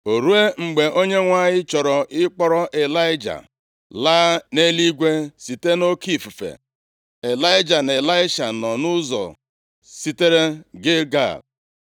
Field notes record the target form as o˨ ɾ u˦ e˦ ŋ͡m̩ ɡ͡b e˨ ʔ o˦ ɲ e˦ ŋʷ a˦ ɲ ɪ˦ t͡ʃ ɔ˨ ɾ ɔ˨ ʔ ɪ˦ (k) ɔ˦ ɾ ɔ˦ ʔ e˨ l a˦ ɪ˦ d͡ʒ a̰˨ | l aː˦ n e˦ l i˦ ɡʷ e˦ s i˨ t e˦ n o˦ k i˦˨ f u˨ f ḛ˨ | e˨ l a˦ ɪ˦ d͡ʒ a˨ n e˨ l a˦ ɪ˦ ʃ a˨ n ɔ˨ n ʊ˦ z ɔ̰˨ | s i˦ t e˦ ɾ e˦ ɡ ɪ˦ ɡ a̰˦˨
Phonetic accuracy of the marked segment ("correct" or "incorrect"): incorrect